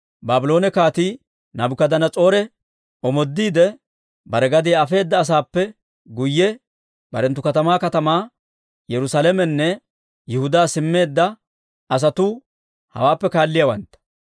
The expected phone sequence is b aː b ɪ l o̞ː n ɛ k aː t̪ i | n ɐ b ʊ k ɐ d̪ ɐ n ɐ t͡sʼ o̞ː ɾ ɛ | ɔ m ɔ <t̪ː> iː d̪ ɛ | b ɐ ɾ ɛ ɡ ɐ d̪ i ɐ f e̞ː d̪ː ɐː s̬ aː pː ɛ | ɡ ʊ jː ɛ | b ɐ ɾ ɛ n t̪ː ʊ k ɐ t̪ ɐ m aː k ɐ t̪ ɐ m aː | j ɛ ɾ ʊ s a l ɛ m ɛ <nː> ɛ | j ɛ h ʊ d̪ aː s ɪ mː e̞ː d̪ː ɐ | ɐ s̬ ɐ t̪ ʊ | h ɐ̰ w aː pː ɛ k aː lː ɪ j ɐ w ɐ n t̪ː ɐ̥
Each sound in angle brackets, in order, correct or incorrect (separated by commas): incorrect, correct